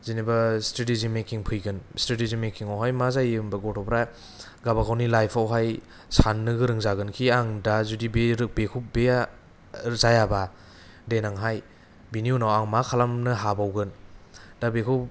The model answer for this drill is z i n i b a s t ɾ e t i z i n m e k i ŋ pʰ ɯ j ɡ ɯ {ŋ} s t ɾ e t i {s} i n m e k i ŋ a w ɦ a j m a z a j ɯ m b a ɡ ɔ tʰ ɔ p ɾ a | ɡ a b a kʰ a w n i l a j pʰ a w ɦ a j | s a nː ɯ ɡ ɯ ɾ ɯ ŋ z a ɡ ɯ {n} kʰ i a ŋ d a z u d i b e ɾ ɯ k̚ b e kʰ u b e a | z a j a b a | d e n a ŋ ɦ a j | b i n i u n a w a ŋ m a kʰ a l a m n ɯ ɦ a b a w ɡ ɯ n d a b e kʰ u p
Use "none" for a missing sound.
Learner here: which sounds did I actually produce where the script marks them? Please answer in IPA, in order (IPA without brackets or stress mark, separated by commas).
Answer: n, z, n